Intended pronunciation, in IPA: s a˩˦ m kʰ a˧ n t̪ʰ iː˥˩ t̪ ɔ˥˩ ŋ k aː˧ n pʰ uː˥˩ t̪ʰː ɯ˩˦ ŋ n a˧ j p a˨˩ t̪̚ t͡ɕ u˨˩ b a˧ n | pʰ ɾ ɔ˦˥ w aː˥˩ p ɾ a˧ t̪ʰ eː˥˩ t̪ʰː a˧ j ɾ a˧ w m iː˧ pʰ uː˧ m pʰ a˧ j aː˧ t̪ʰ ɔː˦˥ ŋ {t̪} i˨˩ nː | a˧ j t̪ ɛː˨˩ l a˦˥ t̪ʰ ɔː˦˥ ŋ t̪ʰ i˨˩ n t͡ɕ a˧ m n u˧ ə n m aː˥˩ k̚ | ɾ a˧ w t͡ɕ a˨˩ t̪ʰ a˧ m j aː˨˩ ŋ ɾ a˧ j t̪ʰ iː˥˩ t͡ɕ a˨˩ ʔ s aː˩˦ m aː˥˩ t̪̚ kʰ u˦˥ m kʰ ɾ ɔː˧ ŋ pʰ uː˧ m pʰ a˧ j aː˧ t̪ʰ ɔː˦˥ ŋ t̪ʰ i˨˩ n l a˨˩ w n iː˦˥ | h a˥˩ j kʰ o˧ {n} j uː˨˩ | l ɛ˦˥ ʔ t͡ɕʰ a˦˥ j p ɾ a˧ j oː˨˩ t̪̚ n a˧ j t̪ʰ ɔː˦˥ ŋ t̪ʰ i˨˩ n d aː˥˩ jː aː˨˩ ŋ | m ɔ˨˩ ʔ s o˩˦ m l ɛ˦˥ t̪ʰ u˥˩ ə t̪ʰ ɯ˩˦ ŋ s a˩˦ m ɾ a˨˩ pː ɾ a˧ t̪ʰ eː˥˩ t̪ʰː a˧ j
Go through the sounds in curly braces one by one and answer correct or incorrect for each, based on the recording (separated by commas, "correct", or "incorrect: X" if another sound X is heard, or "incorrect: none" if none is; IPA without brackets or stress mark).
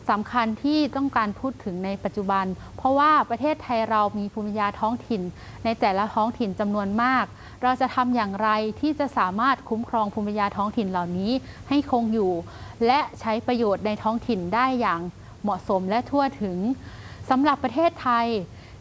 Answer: incorrect: t̪ʰ, incorrect: ŋ